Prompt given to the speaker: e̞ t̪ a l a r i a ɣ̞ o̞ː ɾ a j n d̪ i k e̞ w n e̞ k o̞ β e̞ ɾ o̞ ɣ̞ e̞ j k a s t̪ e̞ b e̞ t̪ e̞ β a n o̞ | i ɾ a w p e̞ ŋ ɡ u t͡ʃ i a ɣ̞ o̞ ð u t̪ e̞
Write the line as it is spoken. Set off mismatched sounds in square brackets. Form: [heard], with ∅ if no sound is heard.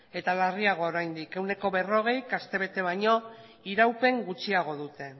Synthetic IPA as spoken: e̞ t̪ a l a r i a ɣ̞ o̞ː ɾ a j n d̪ i k e̞ w n e̞ k o̞ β e̞ [r] o̞ ɣ̞ e̞ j k a s t̪ e̞ [β] e̞ t̪ e̞ β a [ɲ] o̞ | i ɾ a w p e̞ ŋ ɡ u t͡ʃ i a ɣ̞ o̞ ð u t̪ e̞